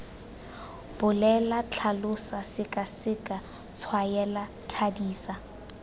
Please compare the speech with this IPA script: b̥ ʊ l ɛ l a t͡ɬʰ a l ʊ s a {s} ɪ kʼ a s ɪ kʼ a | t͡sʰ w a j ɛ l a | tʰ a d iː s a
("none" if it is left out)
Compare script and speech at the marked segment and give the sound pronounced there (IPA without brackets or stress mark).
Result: s